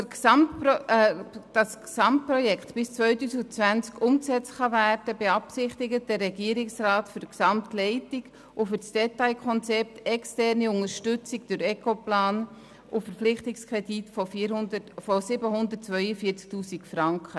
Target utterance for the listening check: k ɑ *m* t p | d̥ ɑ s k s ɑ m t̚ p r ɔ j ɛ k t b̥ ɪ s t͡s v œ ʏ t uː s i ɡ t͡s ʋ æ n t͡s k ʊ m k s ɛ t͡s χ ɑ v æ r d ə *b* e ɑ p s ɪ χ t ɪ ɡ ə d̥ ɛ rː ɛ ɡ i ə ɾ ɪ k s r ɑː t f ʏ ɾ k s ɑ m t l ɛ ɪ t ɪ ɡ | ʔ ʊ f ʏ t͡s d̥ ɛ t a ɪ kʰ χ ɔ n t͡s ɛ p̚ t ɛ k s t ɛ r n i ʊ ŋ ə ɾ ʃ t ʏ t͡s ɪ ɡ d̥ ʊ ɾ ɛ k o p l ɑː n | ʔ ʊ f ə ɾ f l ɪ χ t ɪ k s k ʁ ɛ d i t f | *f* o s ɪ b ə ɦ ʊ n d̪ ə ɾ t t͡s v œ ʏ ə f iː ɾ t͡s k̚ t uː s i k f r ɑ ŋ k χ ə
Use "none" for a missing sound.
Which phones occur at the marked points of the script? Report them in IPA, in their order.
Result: m, b, f

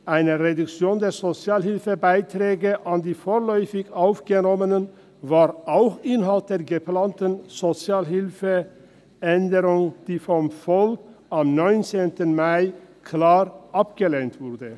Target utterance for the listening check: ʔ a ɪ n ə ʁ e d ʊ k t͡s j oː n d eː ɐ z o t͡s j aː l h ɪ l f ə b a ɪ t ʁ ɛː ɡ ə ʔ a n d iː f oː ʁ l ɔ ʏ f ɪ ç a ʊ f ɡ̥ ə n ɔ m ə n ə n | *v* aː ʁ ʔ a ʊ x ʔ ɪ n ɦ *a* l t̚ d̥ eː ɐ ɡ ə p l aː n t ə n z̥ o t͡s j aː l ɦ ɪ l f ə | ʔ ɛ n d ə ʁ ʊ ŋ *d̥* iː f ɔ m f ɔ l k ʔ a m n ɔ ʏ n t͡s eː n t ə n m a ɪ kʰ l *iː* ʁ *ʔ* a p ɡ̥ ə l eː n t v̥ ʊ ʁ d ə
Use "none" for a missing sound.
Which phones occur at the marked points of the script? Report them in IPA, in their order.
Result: v, a, d̥, aː, ʔ

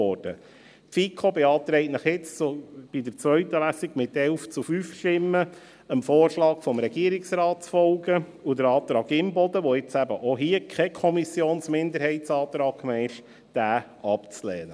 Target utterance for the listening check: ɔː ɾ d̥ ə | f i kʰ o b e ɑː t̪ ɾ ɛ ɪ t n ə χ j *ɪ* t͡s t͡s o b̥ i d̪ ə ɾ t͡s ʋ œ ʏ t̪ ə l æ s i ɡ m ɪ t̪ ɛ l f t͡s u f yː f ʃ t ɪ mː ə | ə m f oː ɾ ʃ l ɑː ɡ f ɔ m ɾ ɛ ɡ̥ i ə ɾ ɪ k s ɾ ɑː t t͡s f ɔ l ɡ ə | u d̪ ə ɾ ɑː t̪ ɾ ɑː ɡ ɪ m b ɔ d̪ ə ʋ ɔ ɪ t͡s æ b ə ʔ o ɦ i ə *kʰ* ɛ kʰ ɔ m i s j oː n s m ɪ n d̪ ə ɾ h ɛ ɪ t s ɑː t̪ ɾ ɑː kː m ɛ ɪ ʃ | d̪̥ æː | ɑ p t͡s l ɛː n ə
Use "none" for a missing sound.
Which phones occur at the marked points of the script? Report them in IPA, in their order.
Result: ɪ, kʰ

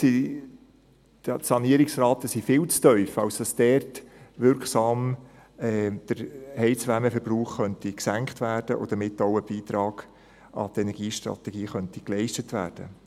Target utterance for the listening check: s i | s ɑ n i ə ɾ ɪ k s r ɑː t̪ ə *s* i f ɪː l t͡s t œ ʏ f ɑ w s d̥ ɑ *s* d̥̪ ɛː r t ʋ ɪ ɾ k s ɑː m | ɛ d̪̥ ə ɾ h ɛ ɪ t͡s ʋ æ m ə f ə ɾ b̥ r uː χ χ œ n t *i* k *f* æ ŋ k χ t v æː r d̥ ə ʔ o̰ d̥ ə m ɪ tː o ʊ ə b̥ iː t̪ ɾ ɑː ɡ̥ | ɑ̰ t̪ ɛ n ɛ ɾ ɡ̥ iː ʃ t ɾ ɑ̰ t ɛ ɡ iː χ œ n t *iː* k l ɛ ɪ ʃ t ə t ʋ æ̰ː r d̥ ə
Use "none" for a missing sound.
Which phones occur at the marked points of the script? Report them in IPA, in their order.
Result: s, s, i, s, i

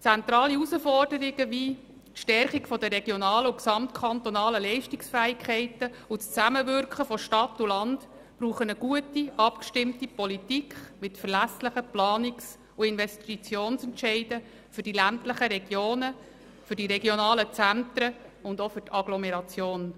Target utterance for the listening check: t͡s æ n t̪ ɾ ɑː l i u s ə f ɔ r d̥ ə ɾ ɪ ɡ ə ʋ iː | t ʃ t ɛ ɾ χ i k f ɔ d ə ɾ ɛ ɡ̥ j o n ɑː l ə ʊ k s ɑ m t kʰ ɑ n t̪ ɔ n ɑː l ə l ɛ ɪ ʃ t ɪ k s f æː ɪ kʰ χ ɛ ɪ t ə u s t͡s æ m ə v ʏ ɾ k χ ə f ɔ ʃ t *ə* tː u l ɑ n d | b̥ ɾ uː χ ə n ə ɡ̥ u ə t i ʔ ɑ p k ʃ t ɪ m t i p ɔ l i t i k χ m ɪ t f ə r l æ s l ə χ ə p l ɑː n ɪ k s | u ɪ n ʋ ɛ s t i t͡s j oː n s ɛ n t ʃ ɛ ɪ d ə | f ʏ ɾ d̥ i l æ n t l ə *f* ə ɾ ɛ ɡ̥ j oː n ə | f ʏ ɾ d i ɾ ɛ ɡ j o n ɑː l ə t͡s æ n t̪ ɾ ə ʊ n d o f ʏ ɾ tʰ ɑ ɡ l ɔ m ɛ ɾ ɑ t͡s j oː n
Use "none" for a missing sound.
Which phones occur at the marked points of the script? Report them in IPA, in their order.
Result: ɑ, χ

